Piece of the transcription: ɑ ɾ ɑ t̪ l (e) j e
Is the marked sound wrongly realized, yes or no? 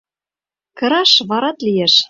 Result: yes